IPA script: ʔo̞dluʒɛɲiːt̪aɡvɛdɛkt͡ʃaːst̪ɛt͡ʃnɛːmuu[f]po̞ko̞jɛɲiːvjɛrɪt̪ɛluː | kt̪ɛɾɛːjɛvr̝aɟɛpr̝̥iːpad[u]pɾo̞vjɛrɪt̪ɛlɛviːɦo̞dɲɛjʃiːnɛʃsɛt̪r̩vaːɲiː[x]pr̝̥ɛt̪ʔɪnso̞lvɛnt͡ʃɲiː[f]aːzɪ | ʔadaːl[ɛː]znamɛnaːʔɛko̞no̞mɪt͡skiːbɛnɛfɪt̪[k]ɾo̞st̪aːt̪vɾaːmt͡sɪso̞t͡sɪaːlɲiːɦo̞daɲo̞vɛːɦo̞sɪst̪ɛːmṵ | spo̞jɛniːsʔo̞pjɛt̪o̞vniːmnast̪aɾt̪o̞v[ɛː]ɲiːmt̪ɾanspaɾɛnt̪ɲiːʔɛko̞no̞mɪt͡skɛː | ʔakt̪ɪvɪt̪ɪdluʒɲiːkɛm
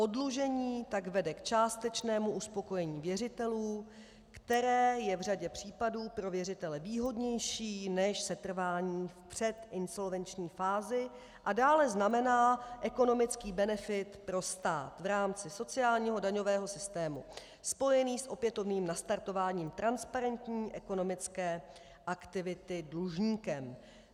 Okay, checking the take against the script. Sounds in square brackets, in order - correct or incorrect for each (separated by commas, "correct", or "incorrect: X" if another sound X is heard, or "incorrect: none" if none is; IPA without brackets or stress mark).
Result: incorrect: s, incorrect: uː, incorrect: f, correct, incorrect: ɛ, incorrect: p, incorrect: aː